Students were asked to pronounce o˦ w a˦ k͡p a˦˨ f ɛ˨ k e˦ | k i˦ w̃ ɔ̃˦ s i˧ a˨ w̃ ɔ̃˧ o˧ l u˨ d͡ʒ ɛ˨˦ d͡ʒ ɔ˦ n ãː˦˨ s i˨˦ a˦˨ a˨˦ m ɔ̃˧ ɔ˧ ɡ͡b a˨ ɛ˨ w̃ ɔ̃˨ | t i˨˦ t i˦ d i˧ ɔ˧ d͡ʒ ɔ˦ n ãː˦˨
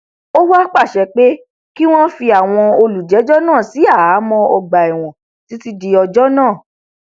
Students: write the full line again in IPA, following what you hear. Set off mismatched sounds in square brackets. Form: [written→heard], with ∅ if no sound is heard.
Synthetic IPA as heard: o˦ w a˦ k͡p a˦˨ [f→ʃ] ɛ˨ [k→k͡p] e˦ | k i˦ w̃ ɔ̃˦ [s→f] i˧ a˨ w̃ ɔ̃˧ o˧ l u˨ d͡ʒ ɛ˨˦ d͡ʒ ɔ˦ n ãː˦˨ s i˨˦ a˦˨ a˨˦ m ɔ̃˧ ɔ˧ ɡ͡b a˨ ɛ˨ w̃ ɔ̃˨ | t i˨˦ t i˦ d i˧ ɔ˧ d͡ʒ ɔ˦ n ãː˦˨